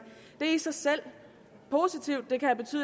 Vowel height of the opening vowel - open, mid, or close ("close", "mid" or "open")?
mid